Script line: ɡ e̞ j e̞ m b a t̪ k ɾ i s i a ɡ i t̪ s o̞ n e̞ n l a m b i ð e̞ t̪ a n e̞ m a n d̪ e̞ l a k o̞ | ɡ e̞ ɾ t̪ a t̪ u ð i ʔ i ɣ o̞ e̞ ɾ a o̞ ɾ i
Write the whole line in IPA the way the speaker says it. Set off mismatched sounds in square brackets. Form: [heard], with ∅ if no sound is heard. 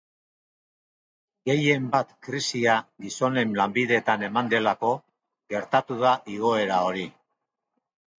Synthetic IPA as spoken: ɡ e̞ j e̞ m b a t̪ k ɾ i s i a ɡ i [∅] s o̞ n e̞ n l a m b i ð e̞ t̪ a n e̞ m a n d̪ e̞ l a k o̞ | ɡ e̞ ɾ t̪ a t̪ u ð [a] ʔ i ɣ o̞ e̞ ɾ a o̞ ɾ i

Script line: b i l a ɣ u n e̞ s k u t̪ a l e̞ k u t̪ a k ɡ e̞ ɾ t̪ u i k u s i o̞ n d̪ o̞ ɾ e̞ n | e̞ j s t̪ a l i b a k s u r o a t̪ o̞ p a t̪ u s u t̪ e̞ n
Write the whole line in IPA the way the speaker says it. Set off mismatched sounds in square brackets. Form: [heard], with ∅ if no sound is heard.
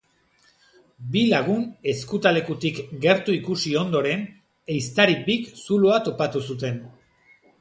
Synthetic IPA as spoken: b i l a ɣ u n e̞ s k u t̪ a l e̞ k u t̪ [i] k ɡ e̞ ɾ t̪ u i k u s i o̞ n d̪ o̞ ɾ e̞ n | e̞ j s t̪ a [ɾ] i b [i] k s u [l] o a t̪ o̞ p a t̪ u s u t̪ e̞ n

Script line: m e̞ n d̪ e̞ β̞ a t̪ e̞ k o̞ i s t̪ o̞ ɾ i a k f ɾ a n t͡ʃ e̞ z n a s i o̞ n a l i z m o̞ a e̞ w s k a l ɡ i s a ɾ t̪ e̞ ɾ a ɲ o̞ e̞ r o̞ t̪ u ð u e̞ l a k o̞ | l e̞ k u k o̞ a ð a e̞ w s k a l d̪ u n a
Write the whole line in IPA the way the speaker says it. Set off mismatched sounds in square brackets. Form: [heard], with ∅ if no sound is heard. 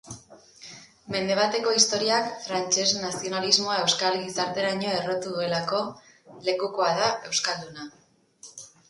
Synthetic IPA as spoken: m e̞ n d̪ e̞ β̞ a t̪ e̞ k o̞ i s t̪ o̞ ɾ i a k f ɾ a n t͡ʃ e̞ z n a s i o̞ n a l i z m o̞ a e̞ w s k a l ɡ i s a ɾ t̪ e̞ ɾ a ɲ o̞ e̞ r o̞ t̪ u ð u e̞ l a k o̞ | l e̞ k u k o̞ a ð a e̞ w s k a l d̪ u n a

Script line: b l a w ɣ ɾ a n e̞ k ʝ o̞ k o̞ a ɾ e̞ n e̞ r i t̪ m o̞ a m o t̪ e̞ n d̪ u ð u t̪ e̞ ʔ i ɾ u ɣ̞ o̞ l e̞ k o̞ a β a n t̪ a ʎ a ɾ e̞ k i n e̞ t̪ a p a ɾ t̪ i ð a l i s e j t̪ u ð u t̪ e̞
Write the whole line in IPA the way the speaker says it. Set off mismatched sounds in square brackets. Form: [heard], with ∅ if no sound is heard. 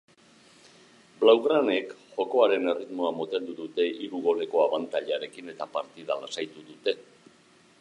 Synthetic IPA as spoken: b l a w ɣ ɾ a n e̞ k ʝ o̞ k o̞ a ɾ e̞ n e̞ r i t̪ m o̞ a m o t̪ e̞ n d̪ u ð u t̪ e̞ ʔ i ɾ u ɣ̞ o̞ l e̞ k o̞ a β a n t̪ a ʎ a ɾ e̞ k i n e̞ t̪ a p a ɾ t̪ i ð a l [a] s [a] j t̪ u ð u t̪ e̞

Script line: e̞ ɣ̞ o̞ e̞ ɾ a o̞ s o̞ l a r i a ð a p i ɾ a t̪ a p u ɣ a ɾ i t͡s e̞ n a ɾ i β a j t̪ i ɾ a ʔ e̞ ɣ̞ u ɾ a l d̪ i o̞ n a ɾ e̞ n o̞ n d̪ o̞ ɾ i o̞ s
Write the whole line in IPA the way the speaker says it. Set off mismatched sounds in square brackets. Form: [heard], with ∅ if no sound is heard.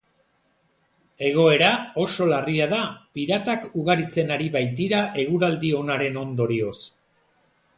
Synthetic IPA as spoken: e̞ ɣ̞ o̞ e̞ ɾ a o̞ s o̞ l a r i a ð a p i ɾ a t̪ a [k] u ɣ a ɾ i t͡s e̞ n a ɾ i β a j t̪ i ɾ a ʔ e̞ ɣ̞ u ɾ a l d̪ i o̞ n a ɾ e̞ n o̞ n d̪ o̞ ɾ i o̞ s

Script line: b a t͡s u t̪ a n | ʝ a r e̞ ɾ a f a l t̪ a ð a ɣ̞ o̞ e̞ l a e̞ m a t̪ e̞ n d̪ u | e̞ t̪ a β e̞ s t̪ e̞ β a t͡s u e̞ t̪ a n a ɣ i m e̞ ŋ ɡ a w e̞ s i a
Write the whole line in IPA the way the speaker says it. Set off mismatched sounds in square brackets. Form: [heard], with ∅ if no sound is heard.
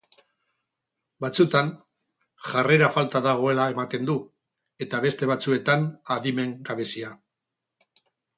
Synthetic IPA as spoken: b a t͡s u t̪ a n | ʝ a r e̞ ɾ a f a l t̪ a ð a ɣ̞ o̞ e̞ l a e̞ m a t̪ e̞ n d̪ u | e̞ t̪ a β e̞ s t̪ e̞ β a t͡s u e̞ t̪ a n a [ð] i m e̞ ŋ ɡ a [β] e̞ s i a

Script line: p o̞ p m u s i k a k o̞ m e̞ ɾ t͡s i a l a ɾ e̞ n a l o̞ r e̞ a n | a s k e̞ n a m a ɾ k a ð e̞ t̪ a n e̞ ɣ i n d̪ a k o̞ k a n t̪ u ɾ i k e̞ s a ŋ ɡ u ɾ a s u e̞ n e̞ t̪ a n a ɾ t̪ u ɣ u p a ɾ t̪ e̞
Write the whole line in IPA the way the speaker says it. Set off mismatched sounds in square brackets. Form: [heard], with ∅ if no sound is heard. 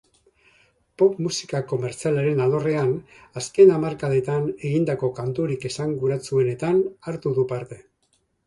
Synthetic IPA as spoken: p o̞ p m u s i k a k o̞ m e̞ ɾ t͡s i a l a ɾ e̞ n a l o̞ r e̞ a n | a s k e̞ n a m a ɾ k a ð e̞ t̪ a n e̞ ɣ i n d̪ a k o̞ k a n t̪ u ɾ i k e̞ s a ŋ ɡ u ɾ a [t͡s] u e̞ n e̞ t̪ a n a ɾ t̪ u [ð] u p a ɾ t̪ e̞

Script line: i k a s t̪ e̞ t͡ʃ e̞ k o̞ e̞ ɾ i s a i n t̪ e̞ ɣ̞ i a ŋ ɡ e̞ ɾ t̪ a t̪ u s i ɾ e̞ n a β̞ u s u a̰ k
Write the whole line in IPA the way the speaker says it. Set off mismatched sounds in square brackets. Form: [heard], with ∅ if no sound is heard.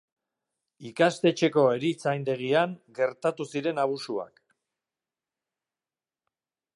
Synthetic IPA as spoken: i k a s t̪ e̞ t͡ʃ e̞ k o̞ e̞ ɾ i [t͡s] a [j] n [d̪] e̞ ɣ̞ i a ŋ ɡ e̞ ɾ t̪ a t̪ u s i ɾ e̞ n a β̞ u s u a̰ k

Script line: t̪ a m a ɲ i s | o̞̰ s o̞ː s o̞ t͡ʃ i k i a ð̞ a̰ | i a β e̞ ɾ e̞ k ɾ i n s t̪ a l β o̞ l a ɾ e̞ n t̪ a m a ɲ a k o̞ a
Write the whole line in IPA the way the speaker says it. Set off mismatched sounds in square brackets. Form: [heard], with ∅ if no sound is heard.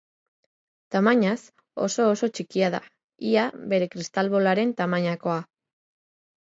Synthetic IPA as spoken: t̪ a m a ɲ [a] s | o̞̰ s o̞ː s o̞ t͡ʃ i k i a ð̞ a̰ | i a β e̞ ɾ e̞ k ɾ i [∅] s t̪ a l β o̞ l a ɾ e̞ n t̪ a m a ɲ a k o̞ a

